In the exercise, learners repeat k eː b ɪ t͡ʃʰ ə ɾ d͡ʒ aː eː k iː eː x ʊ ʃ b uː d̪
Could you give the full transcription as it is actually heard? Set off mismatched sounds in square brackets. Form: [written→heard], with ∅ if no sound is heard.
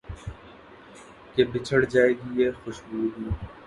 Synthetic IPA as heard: k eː b ɪ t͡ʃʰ ə [ɾ→ɽ] d͡ʒ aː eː [k→ɡ] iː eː x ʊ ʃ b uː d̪